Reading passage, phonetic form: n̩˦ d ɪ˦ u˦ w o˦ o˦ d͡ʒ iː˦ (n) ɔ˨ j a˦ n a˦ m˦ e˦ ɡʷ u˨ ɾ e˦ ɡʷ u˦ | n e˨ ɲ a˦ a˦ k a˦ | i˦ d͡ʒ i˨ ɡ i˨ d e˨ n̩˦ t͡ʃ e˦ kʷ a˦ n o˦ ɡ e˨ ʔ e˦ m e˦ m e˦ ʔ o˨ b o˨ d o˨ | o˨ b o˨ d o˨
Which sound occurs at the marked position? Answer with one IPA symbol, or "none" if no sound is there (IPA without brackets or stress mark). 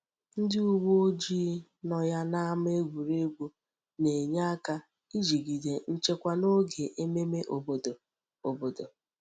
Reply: n